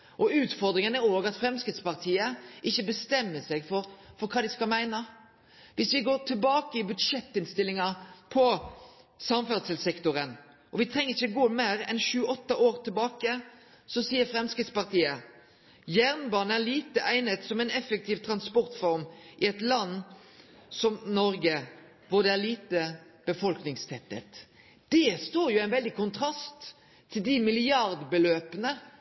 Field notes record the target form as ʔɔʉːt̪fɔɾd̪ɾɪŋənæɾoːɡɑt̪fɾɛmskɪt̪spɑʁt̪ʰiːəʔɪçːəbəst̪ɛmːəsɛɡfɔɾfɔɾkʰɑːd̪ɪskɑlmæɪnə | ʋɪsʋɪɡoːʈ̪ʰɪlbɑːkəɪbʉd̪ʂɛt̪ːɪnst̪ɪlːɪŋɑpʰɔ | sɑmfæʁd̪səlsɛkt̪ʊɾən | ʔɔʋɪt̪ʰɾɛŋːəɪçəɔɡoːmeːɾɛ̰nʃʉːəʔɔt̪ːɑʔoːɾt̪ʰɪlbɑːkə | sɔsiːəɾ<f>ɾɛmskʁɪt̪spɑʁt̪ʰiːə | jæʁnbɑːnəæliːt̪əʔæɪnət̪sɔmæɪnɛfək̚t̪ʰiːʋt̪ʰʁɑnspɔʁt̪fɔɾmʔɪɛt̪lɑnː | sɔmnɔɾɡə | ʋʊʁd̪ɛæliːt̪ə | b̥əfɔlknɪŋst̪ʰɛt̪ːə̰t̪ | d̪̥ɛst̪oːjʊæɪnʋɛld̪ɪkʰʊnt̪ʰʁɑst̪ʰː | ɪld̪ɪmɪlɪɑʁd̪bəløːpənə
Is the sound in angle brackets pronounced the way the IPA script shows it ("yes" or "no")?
yes